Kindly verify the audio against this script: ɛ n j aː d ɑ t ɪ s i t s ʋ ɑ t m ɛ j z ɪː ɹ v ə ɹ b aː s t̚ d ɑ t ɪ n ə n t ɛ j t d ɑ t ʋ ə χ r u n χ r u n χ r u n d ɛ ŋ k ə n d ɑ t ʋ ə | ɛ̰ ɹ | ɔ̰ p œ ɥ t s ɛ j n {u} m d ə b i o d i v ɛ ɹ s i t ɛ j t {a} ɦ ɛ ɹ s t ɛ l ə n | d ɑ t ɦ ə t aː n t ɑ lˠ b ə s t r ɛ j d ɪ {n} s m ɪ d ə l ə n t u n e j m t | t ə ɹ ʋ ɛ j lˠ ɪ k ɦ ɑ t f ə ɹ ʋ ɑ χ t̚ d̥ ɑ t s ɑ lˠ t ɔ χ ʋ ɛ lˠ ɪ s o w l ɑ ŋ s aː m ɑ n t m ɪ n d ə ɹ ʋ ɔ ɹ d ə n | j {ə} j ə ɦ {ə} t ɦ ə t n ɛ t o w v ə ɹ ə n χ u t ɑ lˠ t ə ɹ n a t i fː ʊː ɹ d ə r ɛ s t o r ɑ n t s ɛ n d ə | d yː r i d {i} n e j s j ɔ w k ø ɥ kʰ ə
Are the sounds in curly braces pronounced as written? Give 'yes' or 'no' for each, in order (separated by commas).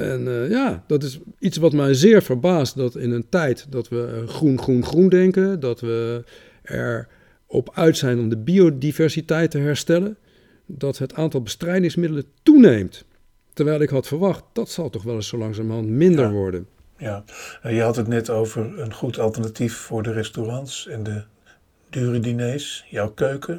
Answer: no, no, no, no, no, yes